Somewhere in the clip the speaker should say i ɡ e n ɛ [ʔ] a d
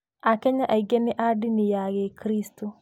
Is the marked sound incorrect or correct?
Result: correct